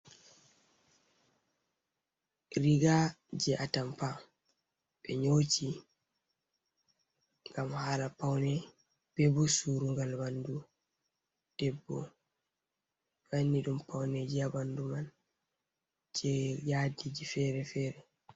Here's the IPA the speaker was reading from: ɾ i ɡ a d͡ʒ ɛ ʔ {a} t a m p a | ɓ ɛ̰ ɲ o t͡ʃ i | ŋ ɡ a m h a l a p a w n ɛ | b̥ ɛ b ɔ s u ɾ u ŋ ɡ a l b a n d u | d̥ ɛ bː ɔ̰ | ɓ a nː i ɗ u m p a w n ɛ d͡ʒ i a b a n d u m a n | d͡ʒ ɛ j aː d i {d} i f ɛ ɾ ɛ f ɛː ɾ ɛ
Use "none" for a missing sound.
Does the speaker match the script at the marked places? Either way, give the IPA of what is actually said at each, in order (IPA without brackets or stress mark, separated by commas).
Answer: a, d͡ʒ